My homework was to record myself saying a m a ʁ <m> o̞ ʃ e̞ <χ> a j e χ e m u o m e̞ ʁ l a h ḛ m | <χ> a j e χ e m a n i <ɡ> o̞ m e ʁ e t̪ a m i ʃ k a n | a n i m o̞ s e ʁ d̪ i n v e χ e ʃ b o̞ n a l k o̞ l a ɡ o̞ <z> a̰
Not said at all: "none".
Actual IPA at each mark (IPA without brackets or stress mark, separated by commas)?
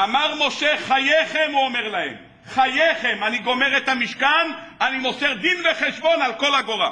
m, χ, χ, ɡ, ʁ